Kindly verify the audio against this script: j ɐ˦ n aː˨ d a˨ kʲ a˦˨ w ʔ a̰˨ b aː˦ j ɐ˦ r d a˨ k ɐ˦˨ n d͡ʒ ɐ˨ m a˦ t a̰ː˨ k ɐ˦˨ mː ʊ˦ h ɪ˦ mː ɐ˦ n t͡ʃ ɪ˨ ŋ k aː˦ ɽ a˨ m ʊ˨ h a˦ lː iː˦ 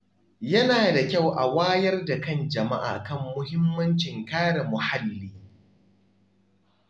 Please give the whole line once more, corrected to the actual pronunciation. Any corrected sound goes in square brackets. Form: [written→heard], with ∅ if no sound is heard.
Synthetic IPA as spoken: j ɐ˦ n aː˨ d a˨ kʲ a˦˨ w ʔ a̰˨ [b→w] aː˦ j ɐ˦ r d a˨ k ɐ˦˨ n d͡ʒ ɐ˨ m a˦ [t→ʔ] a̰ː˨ k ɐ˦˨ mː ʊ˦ h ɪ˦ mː ɐ˦ n t͡ʃ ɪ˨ ŋ k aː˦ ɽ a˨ m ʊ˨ h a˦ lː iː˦